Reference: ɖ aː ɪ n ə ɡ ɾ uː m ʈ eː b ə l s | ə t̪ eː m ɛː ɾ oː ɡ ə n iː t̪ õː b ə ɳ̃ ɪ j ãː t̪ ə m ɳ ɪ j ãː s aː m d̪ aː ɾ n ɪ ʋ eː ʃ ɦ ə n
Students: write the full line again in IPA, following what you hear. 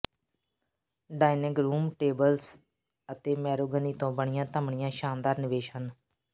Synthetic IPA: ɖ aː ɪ n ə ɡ ɾ uː m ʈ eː b ə l s | ə t̪ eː m ɛː ɾ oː ɡ ə n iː t̪ õː b ə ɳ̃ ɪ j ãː t̪ ə m ɳ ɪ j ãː ʃ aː n d̪ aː ɾ n ɪ ʋ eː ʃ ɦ ə n